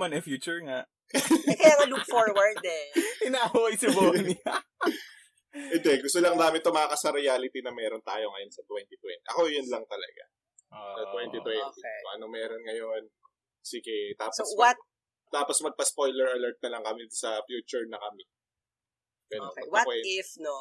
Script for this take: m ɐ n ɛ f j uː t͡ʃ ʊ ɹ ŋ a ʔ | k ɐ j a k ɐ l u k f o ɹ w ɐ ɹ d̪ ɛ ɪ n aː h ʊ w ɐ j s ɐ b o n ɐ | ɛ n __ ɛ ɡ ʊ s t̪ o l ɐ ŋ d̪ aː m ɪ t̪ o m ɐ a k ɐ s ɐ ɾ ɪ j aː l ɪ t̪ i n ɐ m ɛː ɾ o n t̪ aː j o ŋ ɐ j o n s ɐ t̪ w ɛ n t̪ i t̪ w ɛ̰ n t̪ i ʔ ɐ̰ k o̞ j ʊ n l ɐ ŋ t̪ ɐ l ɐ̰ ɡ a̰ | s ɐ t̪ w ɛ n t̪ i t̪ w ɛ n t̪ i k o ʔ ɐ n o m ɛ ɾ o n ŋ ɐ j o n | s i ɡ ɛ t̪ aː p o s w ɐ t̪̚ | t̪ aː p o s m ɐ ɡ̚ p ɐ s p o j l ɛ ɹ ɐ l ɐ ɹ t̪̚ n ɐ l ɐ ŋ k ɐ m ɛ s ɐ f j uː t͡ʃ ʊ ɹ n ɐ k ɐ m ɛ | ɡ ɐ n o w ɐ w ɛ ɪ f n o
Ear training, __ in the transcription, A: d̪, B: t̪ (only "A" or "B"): A